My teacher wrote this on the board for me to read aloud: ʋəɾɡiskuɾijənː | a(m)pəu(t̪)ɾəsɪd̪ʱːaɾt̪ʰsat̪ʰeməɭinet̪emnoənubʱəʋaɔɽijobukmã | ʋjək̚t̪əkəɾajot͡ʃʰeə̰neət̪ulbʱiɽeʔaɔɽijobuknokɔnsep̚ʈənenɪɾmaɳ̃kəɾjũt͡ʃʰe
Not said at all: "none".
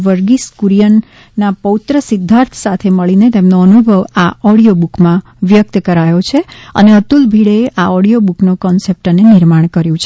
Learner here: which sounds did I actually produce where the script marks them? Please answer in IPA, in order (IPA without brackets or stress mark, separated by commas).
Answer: none, t̪